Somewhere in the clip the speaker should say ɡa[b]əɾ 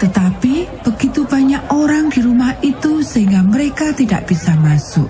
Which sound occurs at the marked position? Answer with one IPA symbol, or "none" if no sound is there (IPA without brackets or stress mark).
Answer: m